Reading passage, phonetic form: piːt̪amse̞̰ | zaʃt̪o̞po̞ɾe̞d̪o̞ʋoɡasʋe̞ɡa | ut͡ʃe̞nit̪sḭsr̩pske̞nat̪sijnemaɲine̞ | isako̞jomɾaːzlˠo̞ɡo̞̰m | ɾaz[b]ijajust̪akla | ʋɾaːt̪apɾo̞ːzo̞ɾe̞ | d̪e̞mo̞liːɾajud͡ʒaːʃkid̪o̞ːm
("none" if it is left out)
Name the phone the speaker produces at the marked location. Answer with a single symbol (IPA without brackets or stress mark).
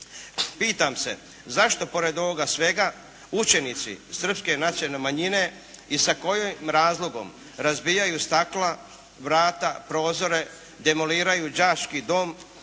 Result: b